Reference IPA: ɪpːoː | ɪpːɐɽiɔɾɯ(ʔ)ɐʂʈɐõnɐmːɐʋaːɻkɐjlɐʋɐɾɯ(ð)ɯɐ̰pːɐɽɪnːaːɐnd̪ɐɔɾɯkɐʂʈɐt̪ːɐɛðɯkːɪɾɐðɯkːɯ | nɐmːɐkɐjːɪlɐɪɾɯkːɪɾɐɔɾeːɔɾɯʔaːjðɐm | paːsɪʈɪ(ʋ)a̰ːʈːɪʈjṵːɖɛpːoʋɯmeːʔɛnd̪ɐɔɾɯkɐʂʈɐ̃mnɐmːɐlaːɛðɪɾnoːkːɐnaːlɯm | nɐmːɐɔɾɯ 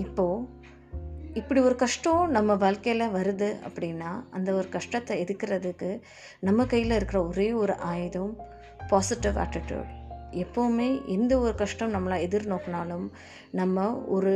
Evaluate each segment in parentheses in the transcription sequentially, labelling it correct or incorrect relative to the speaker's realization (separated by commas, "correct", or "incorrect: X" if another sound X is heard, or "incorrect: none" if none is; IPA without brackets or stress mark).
incorrect: k, correct, correct